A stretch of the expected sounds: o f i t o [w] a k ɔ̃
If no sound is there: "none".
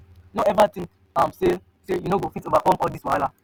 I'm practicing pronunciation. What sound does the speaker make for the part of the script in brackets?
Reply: v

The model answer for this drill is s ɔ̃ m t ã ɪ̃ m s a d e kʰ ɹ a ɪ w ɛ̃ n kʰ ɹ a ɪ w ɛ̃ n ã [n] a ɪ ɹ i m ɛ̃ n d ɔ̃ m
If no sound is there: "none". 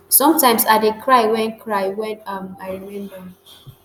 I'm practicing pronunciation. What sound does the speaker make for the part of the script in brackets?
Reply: m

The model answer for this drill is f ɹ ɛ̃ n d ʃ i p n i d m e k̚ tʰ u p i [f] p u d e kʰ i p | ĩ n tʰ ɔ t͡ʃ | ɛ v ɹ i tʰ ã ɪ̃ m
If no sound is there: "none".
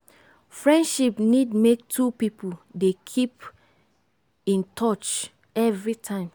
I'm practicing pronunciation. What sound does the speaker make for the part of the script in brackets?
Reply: none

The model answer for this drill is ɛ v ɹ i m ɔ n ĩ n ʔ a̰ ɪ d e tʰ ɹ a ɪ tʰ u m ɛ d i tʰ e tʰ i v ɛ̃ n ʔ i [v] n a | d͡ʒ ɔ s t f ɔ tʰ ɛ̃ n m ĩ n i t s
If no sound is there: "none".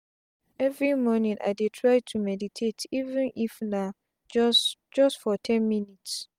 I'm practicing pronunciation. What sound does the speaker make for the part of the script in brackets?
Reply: f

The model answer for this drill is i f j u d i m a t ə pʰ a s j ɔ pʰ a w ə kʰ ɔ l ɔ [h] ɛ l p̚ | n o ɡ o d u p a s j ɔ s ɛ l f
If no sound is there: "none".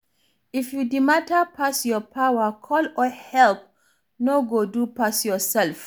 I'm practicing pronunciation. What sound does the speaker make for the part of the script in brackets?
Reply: h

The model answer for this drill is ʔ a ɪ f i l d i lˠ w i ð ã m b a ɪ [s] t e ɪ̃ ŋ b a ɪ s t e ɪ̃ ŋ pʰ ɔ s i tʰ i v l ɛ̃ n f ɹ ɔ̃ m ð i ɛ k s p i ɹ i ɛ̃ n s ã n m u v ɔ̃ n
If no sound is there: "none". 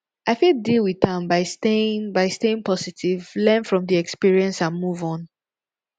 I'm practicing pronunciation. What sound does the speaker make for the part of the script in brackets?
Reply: s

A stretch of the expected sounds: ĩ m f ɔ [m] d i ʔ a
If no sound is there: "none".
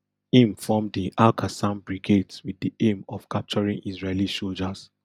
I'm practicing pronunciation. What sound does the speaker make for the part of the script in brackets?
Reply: m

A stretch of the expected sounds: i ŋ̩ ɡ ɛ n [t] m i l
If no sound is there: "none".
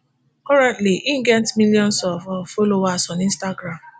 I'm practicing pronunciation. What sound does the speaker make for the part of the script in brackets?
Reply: t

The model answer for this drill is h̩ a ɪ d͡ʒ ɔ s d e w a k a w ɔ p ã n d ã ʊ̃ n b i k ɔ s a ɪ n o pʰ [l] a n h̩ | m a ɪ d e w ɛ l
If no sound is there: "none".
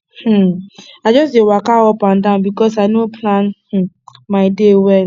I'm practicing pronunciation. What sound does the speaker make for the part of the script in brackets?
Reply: l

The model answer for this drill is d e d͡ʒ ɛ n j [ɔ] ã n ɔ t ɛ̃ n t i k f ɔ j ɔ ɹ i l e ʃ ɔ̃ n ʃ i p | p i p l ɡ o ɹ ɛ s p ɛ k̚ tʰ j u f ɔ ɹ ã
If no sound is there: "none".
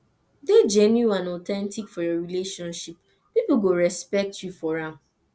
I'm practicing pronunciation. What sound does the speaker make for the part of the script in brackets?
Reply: u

